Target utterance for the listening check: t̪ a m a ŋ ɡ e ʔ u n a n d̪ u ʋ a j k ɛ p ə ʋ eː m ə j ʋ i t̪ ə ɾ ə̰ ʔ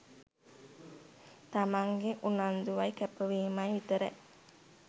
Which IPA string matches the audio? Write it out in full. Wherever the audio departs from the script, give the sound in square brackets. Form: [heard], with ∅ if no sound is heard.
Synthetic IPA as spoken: t̪ a m a ŋ ɡ e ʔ u n a n d̪ u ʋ a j k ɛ p ə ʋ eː m [a] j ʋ i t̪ ə ɾ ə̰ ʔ